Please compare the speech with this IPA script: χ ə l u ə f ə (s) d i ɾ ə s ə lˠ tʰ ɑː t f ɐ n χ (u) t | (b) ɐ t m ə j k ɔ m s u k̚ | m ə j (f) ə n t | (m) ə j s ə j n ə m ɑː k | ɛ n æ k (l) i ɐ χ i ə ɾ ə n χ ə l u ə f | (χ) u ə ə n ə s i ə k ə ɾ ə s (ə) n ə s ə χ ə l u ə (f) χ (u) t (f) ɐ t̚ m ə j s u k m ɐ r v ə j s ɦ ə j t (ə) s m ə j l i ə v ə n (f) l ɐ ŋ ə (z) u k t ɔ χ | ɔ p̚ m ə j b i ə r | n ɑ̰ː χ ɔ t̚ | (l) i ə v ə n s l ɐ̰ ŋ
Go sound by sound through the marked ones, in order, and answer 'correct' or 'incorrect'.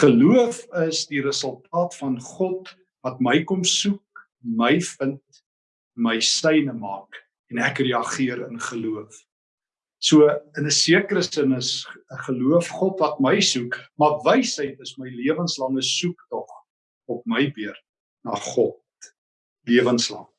correct, incorrect, incorrect, correct, correct, incorrect, incorrect, correct, correct, incorrect, incorrect, correct, incorrect, incorrect, correct

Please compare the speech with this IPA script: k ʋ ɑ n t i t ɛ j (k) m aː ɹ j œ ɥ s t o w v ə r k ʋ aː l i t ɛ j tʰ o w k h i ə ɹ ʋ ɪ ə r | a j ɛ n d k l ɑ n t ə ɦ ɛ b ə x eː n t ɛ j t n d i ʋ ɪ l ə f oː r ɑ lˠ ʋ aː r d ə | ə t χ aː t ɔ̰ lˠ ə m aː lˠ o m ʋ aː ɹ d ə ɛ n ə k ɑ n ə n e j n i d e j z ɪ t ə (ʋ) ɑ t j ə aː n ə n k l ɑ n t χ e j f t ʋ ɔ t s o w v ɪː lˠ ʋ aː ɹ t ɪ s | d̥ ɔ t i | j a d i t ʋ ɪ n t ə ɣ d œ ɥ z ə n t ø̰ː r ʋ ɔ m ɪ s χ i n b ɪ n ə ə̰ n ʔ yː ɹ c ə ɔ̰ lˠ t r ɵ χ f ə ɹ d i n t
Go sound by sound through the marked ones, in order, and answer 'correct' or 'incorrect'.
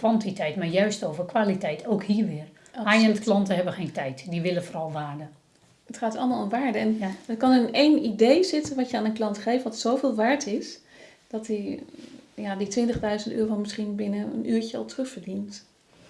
incorrect, correct

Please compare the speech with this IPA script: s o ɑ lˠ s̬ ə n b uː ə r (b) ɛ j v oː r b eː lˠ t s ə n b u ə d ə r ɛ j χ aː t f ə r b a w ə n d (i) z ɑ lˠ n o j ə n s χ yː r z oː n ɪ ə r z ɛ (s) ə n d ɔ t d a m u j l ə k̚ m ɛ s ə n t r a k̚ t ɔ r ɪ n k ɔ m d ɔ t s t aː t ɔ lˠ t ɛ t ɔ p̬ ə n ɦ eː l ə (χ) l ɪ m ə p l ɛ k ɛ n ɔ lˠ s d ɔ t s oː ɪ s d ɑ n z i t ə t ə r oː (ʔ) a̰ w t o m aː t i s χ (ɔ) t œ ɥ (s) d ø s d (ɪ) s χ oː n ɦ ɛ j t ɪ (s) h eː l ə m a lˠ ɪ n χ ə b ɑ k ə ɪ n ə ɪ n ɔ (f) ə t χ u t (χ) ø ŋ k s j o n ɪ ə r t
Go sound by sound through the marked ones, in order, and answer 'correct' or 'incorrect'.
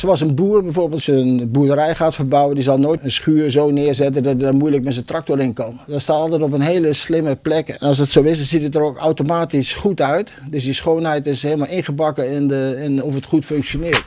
correct, correct, incorrect, incorrect, incorrect, incorrect, incorrect, incorrect, correct, correct, incorrect

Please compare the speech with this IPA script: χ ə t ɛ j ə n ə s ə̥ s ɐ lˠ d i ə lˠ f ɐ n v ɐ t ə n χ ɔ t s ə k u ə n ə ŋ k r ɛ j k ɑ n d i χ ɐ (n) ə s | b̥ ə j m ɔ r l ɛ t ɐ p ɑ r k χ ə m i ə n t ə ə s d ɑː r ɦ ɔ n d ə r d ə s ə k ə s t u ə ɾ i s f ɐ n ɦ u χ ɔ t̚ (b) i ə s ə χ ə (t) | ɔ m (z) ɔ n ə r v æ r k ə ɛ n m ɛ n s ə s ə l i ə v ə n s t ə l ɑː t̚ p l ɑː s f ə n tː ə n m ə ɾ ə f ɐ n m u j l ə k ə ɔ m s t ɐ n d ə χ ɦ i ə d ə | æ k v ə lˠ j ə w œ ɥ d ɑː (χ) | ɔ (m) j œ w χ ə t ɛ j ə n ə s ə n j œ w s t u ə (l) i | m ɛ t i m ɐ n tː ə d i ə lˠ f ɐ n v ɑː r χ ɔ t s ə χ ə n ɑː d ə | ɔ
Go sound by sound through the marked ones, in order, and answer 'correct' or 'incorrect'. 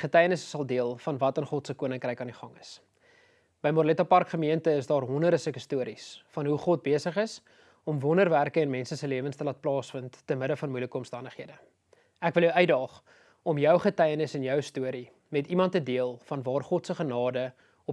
incorrect, correct, incorrect, incorrect, correct, correct, incorrect

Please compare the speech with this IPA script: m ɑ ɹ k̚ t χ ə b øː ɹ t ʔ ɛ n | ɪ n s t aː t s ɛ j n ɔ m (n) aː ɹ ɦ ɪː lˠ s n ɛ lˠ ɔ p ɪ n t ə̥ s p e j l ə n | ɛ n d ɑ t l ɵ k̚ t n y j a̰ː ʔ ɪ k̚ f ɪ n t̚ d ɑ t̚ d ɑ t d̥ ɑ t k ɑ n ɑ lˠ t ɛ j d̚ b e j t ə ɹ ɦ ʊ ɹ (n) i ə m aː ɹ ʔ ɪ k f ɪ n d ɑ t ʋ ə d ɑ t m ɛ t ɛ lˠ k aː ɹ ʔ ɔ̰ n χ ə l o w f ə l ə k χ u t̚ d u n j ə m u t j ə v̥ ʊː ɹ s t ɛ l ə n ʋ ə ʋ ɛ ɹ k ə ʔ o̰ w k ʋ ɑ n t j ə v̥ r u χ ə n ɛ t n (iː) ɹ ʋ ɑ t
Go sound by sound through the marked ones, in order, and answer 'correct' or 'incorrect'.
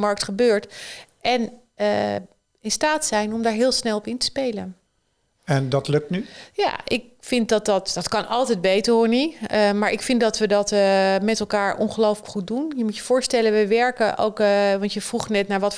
incorrect, correct, incorrect

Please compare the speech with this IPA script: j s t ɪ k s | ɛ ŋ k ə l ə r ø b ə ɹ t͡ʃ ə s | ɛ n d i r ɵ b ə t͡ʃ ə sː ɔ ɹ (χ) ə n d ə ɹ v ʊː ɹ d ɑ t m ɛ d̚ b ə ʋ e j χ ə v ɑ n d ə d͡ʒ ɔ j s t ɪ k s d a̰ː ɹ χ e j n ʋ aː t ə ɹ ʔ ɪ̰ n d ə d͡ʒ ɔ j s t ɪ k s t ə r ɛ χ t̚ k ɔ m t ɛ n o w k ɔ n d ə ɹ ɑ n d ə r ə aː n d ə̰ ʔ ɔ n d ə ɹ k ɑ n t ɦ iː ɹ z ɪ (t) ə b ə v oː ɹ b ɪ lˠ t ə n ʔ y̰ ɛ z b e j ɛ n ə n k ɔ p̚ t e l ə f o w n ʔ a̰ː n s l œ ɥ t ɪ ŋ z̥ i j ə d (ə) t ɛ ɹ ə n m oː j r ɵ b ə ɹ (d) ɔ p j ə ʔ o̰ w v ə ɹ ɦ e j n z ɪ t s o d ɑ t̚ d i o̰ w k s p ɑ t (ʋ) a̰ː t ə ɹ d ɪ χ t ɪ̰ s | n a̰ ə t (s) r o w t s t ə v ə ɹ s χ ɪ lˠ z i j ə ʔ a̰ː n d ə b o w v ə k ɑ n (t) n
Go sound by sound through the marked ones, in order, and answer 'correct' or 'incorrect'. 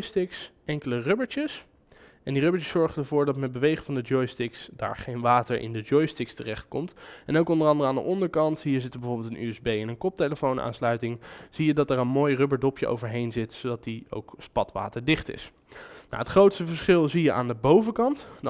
correct, correct, incorrect, correct, correct, incorrect, correct

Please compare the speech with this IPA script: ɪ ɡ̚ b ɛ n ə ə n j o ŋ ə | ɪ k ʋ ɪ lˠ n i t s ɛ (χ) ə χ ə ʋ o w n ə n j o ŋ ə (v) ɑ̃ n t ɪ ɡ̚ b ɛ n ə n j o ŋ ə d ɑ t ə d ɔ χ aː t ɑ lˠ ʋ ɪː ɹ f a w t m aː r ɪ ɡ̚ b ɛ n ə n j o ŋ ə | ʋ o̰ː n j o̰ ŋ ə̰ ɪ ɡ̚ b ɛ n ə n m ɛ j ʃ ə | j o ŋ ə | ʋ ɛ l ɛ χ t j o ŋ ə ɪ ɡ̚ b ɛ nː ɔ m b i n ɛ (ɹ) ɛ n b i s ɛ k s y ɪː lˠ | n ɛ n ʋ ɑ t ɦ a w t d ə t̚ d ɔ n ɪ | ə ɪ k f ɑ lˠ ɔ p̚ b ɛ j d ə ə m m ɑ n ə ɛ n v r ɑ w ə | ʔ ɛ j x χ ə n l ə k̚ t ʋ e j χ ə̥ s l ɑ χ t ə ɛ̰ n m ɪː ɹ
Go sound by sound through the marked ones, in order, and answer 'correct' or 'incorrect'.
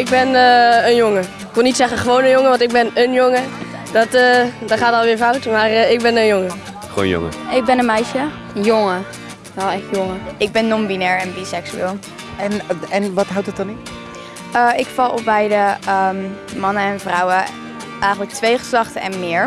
correct, incorrect, correct

